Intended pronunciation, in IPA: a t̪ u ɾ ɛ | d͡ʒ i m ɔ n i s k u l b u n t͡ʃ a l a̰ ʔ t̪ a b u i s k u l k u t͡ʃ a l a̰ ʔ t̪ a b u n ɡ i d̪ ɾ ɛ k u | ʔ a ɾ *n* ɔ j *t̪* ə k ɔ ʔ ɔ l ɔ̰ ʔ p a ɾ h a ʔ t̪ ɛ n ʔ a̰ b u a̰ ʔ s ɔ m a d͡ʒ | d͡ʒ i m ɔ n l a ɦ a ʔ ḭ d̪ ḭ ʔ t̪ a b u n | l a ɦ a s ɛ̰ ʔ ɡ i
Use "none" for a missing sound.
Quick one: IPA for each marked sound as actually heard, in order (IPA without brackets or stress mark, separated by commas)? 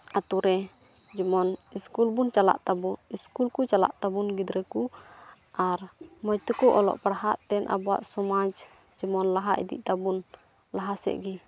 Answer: m, t̪